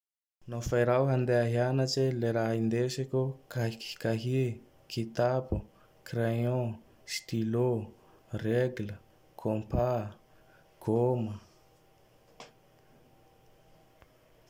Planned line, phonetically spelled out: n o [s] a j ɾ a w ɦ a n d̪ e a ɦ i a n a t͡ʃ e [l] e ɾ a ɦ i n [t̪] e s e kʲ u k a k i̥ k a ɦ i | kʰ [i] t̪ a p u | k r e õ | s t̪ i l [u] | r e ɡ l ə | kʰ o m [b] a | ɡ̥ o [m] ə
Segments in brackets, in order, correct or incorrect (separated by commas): incorrect, correct, incorrect, correct, incorrect, incorrect, correct